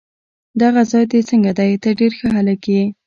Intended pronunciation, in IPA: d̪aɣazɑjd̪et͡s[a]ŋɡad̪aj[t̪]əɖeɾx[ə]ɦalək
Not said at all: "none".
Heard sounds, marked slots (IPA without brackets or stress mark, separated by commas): ə, t̪, ə